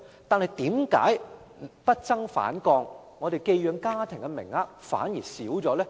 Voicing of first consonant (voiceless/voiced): voiceless